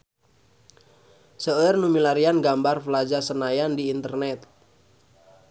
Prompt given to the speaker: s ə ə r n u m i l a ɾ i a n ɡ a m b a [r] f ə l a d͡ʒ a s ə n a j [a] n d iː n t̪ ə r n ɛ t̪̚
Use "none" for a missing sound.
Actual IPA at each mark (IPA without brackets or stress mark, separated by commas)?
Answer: r, a